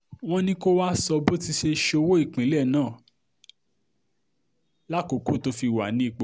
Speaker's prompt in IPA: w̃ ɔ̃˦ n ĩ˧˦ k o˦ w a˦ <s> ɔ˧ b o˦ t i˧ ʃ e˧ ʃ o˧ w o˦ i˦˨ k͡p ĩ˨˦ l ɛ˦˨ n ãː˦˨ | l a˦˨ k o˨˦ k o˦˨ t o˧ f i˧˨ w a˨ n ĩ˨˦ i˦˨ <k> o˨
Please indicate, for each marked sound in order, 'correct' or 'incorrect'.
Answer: correct, incorrect: k͡p

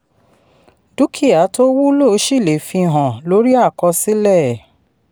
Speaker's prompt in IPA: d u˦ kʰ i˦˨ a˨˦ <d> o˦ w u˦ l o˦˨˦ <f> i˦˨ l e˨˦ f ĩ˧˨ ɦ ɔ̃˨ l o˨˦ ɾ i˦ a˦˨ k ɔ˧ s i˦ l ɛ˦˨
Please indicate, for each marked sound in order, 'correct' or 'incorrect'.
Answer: incorrect: t, incorrect: ʃ

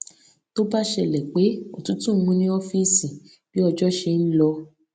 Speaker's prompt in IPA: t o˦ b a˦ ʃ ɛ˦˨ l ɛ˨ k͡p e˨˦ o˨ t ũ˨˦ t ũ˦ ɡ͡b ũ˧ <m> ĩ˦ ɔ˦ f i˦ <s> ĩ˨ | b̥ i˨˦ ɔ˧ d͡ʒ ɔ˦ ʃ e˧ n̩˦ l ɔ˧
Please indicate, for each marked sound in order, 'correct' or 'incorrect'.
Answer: incorrect: n, correct

